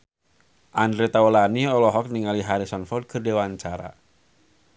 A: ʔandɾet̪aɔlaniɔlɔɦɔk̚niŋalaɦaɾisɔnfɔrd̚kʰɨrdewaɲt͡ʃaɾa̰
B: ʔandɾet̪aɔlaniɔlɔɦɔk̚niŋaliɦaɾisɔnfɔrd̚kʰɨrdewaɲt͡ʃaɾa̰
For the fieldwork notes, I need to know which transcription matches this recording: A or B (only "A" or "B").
B